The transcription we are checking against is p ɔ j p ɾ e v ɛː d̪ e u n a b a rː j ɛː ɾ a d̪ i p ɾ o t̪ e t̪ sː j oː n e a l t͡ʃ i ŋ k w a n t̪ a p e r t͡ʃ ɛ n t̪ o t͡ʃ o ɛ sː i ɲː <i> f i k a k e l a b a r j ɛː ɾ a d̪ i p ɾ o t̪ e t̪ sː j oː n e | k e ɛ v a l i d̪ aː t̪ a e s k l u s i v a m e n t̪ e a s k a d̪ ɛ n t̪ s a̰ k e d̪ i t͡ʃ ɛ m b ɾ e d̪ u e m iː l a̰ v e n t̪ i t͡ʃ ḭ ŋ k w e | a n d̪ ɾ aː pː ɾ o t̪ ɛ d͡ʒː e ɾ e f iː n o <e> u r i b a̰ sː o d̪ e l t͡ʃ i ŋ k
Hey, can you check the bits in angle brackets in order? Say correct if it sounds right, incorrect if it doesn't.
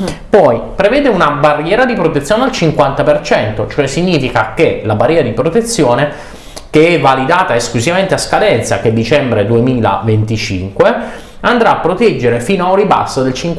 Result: incorrect: iː, incorrect: a

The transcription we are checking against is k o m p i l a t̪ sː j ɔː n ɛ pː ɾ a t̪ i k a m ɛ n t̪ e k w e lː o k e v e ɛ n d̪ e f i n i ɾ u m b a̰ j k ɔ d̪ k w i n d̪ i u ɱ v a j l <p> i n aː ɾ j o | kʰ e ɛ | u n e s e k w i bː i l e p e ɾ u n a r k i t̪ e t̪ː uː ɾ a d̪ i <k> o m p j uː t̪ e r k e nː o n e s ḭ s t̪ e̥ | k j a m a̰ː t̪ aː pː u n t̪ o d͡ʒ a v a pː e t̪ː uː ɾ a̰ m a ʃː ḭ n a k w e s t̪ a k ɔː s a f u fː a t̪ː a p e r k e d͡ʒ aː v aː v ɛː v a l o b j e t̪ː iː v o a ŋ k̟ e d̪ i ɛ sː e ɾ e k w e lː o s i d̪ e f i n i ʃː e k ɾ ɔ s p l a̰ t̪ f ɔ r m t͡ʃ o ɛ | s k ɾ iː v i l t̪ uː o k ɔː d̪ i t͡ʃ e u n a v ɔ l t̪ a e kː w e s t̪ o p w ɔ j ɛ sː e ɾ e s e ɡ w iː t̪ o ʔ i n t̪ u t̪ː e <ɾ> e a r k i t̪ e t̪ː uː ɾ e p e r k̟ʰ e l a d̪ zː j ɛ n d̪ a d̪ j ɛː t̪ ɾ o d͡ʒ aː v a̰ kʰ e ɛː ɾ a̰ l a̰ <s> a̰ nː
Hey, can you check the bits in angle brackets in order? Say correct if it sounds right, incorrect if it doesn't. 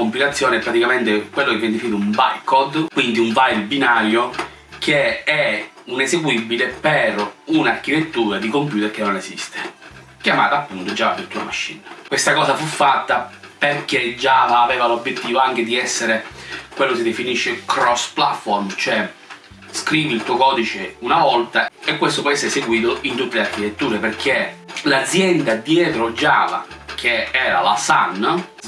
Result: incorrect: b, correct, incorrect: l, correct

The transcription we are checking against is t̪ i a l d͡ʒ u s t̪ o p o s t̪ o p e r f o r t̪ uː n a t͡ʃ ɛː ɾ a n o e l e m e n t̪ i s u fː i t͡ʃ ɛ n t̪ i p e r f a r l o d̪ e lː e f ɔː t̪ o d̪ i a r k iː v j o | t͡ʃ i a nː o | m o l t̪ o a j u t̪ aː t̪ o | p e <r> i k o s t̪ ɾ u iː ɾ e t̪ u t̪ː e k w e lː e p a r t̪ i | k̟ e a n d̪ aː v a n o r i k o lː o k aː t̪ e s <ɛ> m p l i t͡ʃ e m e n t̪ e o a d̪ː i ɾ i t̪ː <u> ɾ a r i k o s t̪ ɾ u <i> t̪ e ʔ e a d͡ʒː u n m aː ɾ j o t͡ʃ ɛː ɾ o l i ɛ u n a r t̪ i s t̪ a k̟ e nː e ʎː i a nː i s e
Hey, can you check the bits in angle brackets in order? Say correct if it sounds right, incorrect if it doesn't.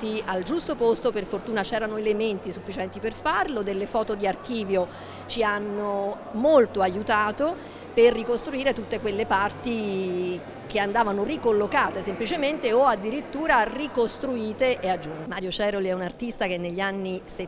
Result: incorrect: rː, incorrect: e, incorrect: uː, incorrect: iː

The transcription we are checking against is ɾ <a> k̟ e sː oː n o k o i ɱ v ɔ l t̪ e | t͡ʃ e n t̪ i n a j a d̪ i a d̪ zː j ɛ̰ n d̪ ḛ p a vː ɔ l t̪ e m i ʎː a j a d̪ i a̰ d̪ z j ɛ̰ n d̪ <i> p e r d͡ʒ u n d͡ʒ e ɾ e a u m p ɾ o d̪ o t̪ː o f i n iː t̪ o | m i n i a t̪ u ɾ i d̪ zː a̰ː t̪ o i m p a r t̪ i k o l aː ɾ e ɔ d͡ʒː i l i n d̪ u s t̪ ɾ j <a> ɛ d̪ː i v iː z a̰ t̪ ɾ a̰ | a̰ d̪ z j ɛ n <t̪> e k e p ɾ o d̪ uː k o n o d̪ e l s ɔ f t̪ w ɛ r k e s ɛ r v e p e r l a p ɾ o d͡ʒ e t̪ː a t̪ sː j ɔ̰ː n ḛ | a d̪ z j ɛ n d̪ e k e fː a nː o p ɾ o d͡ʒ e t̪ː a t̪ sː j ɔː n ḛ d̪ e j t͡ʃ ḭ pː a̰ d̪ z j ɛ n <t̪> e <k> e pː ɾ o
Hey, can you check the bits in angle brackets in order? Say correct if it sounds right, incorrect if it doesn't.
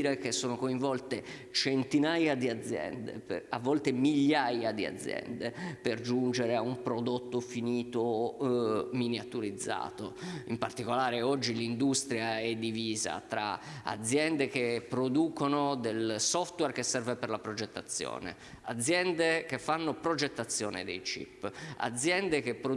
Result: incorrect: e, incorrect: e, correct, incorrect: d̪, incorrect: d̪, correct

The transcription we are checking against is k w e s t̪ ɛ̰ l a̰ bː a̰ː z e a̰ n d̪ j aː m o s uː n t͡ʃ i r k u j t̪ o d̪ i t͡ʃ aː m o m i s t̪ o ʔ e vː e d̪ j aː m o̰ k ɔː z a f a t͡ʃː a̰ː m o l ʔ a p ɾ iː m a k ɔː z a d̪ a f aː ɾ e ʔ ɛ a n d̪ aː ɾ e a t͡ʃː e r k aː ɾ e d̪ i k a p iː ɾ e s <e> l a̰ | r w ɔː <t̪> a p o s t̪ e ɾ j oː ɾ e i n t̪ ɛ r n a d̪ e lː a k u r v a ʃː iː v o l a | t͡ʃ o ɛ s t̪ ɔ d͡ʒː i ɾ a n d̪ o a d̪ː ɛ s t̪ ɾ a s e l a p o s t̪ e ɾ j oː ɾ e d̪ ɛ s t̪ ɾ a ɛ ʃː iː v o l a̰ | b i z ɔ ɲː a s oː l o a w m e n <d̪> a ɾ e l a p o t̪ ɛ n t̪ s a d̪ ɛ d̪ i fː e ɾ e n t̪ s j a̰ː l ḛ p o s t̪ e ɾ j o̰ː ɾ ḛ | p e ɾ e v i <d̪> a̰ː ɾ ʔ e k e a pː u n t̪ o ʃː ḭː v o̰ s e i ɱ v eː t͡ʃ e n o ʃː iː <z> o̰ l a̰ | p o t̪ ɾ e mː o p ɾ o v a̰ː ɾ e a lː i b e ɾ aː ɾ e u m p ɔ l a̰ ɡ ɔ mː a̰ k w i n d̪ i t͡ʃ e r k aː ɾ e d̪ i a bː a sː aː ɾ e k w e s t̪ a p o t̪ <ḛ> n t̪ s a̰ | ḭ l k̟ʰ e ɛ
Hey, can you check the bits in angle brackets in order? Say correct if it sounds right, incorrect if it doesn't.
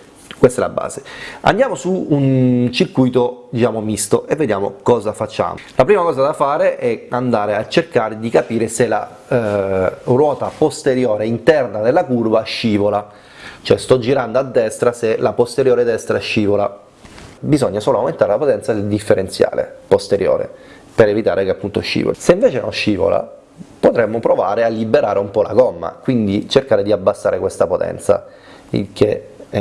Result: correct, correct, incorrect: t̪, incorrect: t̪, incorrect: v, incorrect: ɛ̰

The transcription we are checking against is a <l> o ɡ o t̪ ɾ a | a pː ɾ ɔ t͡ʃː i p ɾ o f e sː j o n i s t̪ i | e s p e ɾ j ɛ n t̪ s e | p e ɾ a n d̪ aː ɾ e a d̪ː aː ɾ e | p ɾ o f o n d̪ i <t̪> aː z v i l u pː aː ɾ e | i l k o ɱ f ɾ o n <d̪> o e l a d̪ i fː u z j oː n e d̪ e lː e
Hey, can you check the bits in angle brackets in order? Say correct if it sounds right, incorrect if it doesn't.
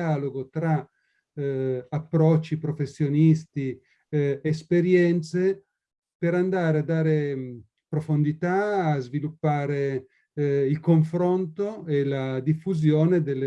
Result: correct, correct, incorrect: t̪

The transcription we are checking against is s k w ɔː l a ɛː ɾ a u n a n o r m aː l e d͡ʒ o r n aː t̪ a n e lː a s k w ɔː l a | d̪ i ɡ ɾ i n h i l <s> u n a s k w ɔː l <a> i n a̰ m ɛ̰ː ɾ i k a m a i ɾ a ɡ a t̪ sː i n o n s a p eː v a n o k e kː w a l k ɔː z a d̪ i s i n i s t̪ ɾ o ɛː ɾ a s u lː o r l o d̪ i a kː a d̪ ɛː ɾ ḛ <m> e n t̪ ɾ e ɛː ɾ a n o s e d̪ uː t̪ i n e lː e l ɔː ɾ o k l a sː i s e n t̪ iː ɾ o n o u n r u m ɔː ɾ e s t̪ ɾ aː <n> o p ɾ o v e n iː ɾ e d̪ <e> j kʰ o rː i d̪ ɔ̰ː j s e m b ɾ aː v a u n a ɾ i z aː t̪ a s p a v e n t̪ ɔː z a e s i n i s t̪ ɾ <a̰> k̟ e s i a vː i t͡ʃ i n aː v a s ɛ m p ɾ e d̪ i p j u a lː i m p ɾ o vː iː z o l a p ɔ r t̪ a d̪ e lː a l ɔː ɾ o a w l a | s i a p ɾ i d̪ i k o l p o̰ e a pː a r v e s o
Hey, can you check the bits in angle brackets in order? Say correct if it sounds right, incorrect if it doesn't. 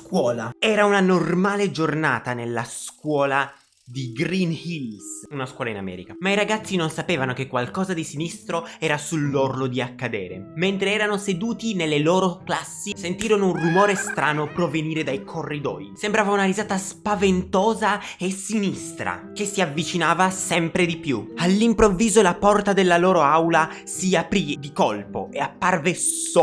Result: correct, correct, correct, correct, incorrect: a, correct

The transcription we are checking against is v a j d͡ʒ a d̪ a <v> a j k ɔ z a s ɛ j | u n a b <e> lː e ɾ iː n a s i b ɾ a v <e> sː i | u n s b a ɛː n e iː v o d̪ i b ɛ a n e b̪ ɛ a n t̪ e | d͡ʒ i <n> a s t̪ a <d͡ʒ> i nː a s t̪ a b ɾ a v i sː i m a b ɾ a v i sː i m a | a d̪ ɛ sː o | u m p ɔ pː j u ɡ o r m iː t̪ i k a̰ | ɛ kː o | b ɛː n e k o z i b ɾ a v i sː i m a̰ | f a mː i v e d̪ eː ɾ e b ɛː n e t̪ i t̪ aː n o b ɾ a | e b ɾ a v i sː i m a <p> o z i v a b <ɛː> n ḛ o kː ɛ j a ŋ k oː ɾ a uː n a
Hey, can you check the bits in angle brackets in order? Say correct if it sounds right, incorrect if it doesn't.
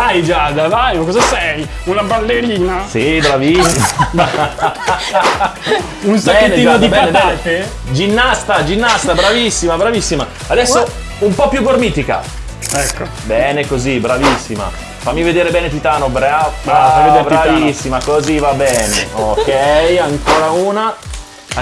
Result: correct, incorrect: a, incorrect: i, incorrect: nː, correct, incorrect: k, correct

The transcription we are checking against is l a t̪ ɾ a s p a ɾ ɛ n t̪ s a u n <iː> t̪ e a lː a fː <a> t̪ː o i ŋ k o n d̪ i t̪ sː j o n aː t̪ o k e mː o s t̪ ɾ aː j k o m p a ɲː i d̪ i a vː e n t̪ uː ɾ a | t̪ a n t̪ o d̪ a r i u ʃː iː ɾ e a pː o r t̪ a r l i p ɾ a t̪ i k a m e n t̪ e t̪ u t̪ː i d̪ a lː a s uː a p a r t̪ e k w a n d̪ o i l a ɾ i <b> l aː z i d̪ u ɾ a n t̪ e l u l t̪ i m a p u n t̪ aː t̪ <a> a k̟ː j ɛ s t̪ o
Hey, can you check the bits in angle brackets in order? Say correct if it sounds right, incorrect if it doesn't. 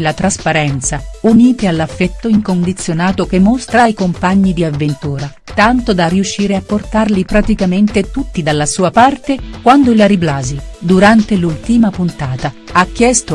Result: correct, incorrect: ɛ, correct, correct

